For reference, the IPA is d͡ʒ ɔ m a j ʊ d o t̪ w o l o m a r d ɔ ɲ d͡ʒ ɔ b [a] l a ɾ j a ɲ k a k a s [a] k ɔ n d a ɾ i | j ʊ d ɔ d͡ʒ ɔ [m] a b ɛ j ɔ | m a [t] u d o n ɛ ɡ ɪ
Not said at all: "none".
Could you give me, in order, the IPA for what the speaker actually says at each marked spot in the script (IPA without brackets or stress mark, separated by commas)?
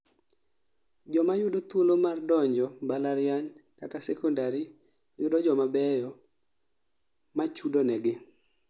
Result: a, ɛ, m, t͡ʃ